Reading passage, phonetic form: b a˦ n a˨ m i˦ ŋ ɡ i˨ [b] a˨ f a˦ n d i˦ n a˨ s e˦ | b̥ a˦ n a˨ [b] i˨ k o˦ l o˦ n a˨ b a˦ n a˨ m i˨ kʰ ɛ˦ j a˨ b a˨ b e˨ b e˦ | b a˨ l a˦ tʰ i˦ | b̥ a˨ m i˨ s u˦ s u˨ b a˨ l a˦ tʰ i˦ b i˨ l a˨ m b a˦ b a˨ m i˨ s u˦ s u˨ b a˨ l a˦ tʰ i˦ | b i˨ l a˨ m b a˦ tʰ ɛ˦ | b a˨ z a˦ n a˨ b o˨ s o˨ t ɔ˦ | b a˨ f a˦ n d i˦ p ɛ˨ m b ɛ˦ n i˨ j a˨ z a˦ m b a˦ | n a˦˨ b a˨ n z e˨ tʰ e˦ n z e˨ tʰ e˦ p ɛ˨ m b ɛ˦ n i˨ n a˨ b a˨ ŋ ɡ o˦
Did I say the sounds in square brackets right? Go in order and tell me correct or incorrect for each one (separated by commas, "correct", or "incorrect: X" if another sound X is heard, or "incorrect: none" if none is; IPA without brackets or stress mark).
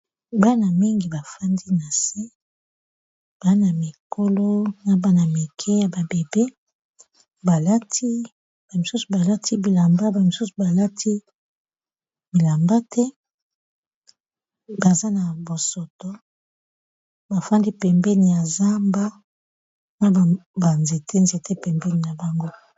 correct, incorrect: m